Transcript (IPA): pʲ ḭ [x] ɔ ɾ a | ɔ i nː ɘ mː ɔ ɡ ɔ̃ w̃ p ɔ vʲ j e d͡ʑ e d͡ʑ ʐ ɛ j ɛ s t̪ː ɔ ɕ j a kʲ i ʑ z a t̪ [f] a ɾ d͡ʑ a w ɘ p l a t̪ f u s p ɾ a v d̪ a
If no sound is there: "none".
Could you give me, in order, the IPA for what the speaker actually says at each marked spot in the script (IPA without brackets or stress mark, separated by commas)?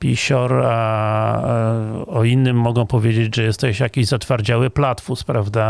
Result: ɕ, f